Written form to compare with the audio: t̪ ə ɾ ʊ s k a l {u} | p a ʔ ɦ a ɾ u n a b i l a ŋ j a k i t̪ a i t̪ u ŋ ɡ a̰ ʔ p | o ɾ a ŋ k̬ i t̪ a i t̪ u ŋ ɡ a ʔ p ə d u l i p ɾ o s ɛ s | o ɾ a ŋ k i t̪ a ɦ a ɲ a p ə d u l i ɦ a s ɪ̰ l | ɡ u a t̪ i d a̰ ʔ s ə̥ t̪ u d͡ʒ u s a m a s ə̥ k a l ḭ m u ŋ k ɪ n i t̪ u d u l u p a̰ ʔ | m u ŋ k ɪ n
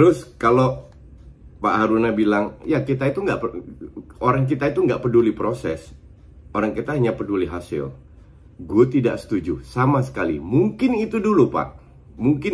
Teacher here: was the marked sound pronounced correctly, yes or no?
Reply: no